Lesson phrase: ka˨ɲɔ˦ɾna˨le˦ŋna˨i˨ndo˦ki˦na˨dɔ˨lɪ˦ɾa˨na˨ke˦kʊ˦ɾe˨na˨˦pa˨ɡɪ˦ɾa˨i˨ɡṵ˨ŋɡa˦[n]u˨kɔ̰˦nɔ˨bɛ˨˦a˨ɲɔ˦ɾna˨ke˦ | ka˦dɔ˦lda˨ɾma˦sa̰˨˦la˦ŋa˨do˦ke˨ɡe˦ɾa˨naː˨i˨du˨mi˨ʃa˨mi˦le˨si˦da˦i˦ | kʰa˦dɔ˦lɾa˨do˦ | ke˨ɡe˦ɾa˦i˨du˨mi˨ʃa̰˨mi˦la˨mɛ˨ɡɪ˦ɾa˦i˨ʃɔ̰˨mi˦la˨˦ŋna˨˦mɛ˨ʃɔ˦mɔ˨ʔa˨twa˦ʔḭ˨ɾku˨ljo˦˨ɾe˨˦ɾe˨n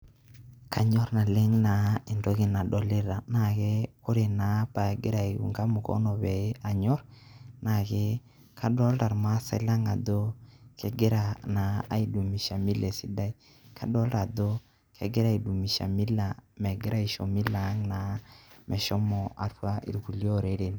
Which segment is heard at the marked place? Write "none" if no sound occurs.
m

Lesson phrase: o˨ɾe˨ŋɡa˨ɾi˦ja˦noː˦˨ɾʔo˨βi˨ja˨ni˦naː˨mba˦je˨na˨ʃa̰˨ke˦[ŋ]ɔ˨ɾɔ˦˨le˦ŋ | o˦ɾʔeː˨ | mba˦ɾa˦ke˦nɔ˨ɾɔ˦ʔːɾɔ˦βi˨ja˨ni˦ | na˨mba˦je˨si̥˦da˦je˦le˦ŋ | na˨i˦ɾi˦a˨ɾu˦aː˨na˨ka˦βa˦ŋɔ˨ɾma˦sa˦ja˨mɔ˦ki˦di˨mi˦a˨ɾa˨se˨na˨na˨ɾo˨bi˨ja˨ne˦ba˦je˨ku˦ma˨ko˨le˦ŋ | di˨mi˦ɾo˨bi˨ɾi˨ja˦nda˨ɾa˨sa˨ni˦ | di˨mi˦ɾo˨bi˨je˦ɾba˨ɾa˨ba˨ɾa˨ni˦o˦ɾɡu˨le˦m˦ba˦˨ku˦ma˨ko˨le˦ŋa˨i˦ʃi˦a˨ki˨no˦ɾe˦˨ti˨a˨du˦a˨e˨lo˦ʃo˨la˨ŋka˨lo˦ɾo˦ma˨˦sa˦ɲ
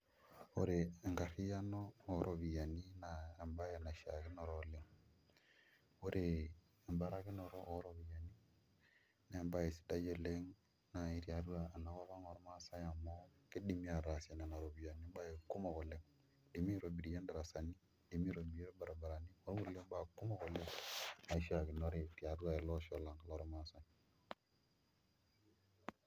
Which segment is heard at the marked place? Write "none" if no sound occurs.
n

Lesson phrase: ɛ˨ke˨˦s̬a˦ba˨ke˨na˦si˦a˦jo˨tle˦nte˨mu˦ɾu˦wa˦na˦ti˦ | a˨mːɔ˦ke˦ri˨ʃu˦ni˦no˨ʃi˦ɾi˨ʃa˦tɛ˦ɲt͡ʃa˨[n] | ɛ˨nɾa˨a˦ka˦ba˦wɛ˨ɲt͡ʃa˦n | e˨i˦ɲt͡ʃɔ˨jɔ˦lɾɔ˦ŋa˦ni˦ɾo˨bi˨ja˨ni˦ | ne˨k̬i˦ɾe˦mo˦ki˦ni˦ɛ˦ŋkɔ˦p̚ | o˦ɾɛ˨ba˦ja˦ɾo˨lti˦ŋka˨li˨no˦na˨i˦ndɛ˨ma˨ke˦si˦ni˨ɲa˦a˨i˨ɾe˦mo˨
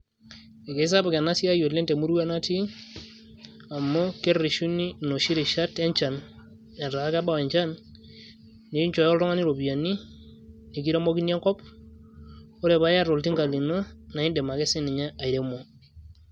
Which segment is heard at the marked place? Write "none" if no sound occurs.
n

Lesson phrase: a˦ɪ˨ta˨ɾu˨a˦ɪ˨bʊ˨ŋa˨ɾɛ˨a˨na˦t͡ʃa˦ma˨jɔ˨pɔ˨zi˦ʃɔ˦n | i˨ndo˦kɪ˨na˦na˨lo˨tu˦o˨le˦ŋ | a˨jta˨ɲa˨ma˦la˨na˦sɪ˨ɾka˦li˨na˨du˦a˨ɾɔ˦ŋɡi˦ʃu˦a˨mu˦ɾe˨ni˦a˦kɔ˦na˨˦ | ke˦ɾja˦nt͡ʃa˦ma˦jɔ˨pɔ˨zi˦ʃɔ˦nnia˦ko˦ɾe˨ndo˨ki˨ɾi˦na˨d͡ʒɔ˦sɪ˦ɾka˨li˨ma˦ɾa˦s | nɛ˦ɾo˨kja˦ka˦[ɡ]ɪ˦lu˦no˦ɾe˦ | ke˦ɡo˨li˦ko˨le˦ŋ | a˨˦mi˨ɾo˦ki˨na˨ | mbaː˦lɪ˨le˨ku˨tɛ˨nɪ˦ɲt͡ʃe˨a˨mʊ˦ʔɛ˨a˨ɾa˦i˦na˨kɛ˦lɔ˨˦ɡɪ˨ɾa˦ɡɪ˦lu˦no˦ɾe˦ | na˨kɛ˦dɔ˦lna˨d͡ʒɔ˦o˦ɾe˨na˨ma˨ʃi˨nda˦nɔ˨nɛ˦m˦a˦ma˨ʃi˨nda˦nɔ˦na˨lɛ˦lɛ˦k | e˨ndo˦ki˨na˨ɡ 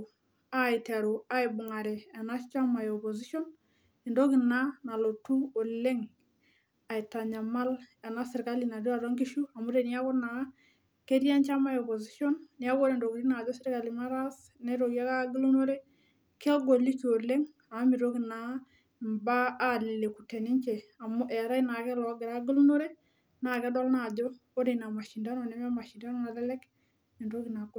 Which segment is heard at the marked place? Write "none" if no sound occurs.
ɡ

